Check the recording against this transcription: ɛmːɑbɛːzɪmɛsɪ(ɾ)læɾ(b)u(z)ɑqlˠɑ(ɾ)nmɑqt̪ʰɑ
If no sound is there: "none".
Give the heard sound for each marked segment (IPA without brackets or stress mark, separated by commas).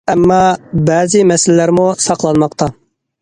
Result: l, m, s, none